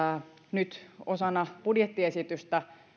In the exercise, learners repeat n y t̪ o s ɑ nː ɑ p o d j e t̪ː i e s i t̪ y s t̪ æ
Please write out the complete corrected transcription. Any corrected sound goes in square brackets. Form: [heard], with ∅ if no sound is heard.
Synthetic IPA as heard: n y t̪ o s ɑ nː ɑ p [u] d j e t̪ː i e s i t̪ y s t̪ æ